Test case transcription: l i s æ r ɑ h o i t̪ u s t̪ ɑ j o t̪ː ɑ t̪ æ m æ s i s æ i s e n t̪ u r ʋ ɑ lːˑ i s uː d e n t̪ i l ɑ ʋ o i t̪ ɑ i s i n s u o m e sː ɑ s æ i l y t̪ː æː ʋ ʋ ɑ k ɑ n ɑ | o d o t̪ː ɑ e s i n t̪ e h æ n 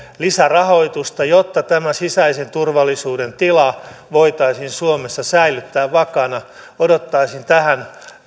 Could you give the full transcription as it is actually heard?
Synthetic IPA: l i s æ r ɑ h o i t̪ u s t̪ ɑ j o t̪ː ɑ t̪ æ m æ s i s æ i s e n t̪ u r ʋ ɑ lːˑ i s uː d e n t̪ i l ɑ ʋ o i t̪ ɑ i s i n s u o m e sː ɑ s æ i l y t̪ː æː ʋ ʋ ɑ k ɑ n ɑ | o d o t̪ː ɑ i s i n t̪ æ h æ n